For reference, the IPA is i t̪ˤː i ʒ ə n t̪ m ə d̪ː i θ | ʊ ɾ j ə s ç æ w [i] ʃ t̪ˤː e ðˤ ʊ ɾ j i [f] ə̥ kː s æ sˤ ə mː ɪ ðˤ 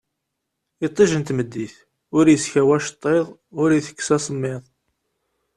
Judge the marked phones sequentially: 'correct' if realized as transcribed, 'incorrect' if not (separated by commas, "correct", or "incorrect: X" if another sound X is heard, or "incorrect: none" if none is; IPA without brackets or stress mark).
incorrect: æ, incorrect: θ